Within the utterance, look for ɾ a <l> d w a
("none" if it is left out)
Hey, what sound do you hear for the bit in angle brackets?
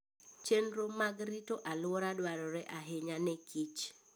none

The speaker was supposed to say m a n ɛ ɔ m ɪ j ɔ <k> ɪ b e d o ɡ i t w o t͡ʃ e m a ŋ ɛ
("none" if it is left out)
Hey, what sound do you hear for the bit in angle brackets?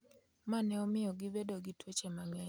ɡ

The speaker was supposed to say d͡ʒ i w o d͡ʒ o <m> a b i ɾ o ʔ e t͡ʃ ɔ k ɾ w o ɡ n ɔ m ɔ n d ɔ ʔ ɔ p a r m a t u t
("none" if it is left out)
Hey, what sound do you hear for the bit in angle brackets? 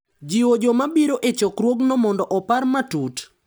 m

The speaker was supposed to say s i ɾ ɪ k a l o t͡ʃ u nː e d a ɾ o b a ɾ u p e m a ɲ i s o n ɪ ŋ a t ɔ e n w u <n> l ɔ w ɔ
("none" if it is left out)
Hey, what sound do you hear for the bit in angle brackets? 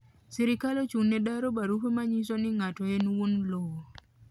n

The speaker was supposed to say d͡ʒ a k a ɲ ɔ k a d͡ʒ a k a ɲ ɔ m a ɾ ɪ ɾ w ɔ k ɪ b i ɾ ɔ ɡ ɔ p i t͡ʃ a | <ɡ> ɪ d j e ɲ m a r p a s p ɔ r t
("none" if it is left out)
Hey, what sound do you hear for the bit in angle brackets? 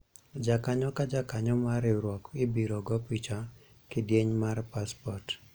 k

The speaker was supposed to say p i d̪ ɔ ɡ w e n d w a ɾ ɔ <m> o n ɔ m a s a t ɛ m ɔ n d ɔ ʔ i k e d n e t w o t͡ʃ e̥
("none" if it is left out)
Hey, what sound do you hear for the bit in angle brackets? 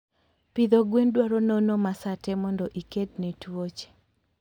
n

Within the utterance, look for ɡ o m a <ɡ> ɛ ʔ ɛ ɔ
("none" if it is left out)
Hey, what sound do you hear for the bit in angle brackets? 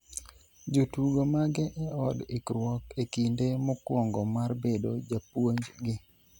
ɡ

